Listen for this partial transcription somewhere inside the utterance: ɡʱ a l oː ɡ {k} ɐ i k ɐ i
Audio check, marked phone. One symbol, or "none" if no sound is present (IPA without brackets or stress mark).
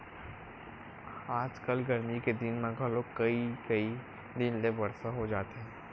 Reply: k